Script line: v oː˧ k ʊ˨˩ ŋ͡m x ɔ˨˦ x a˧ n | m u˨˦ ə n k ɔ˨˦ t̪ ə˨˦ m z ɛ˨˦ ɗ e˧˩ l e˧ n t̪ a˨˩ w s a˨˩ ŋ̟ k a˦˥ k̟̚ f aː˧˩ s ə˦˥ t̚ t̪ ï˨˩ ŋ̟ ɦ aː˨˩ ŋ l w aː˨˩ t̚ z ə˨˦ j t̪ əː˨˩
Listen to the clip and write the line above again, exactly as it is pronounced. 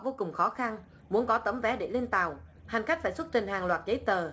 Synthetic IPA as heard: v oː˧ k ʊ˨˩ ŋ͡m x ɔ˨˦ x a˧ n | m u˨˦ ə n k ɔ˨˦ t̪ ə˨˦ m v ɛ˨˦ ɗ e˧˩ l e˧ n t̪ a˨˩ w h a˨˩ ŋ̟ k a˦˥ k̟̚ f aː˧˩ s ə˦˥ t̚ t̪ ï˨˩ ŋ̟ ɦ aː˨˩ ŋ l w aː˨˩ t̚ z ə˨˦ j t̪ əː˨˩